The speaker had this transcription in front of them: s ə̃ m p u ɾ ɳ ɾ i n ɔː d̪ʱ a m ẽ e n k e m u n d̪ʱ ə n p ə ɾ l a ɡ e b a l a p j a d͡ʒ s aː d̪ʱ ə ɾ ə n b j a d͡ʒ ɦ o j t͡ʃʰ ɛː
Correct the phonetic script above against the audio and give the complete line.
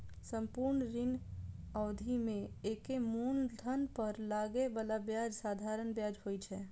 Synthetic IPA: s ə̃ m p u ɾ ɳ ɾ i n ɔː d̪ʱ i m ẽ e k e m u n d̪ʱ ə n p ə ɾ l a ɡ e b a l a b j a d͡ʒ s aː d̪ʱ a ɾ ə n b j a d͡ʒ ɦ o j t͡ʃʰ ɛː